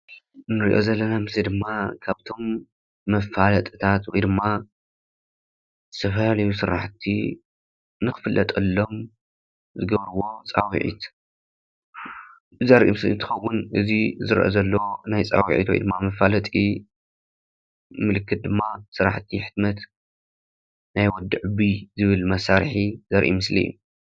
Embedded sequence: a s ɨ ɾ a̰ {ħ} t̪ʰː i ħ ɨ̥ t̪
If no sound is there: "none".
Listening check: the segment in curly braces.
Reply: ħ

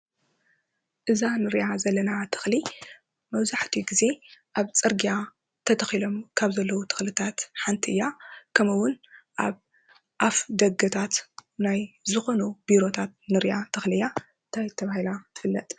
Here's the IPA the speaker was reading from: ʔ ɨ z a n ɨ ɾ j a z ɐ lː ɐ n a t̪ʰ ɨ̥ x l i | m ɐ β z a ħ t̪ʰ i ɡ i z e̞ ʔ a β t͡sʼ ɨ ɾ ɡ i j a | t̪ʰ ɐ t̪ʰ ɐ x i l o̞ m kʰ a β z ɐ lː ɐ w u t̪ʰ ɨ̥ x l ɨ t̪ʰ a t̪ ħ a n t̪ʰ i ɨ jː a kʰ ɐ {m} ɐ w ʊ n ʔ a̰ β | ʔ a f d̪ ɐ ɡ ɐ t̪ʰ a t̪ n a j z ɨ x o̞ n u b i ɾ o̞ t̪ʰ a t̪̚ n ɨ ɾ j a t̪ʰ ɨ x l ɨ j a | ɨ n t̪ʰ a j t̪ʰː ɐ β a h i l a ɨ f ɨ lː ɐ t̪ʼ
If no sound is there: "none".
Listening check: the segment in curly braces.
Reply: m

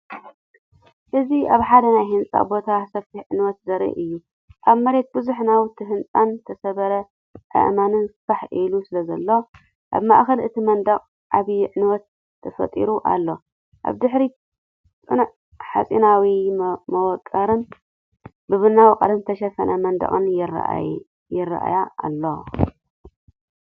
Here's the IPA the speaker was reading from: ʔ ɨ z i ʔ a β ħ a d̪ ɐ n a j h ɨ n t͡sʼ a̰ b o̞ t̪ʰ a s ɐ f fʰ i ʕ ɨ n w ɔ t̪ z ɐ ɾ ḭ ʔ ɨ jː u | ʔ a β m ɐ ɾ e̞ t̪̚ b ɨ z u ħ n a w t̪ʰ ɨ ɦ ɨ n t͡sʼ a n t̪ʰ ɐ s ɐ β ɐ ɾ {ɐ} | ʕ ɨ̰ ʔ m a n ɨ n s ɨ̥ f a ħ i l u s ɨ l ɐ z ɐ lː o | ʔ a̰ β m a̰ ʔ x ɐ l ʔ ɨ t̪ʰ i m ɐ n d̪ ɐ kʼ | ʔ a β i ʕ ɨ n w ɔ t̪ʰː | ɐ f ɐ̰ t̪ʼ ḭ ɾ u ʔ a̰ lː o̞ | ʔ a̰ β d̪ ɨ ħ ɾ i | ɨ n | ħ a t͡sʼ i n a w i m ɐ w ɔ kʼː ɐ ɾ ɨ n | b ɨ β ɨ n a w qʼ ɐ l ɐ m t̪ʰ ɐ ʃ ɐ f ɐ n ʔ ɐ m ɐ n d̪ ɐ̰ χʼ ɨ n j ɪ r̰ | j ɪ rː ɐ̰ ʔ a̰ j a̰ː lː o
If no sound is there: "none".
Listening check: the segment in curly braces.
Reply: ɐ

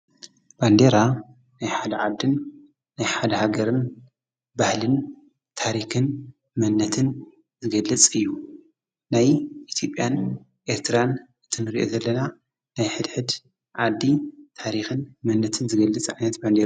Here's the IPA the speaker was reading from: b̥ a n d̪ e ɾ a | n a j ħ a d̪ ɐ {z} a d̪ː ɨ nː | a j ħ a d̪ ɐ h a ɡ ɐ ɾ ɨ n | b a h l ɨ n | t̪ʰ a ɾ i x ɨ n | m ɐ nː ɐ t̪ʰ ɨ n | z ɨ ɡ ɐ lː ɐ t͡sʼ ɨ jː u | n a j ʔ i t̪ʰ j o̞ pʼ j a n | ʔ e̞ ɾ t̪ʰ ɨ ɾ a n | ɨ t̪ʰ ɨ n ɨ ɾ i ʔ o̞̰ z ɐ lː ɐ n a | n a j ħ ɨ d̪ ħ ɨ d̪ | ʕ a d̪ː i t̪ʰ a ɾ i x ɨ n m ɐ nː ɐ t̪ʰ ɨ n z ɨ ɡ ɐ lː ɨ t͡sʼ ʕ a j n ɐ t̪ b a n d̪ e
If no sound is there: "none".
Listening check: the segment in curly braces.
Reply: ʕ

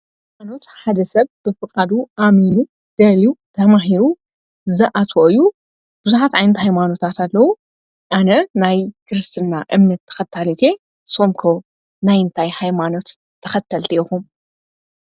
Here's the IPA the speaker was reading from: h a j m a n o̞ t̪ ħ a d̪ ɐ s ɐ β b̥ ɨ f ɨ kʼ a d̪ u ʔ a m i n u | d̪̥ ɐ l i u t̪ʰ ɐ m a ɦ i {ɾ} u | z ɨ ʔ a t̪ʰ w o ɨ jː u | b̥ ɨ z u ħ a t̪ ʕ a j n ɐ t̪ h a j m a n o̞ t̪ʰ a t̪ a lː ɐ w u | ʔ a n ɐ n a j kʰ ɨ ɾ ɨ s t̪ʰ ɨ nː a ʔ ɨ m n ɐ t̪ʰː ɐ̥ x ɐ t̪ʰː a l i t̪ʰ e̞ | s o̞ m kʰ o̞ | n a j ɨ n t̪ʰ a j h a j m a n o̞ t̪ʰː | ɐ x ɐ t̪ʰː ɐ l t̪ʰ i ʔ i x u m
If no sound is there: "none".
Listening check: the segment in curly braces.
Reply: ɾ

